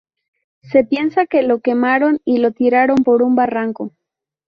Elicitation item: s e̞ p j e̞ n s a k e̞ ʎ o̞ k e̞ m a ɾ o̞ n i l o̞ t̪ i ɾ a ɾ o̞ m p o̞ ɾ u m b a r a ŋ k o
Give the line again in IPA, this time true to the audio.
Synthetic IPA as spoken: s e̞ p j e̞ n s a k e̞ l o̞ k e̞ m a ɾ o̞ n i l o̞ t̪ i ɾ a ɾ o̞ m p o̞ ɾ u m b a r a ŋ k o